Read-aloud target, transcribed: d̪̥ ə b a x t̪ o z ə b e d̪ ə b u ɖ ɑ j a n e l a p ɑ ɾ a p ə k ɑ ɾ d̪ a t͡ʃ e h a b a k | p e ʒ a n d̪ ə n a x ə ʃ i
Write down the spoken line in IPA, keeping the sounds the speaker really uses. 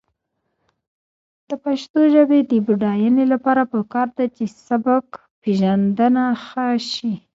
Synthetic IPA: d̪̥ ə p a ʃ t̪ o ʒ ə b e d̪ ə b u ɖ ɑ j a n e l a p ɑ ɾ a p ə k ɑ ɾ d̪ a t͡ʃ e s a b a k | p e ʒ a n d̪ ə n a x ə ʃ i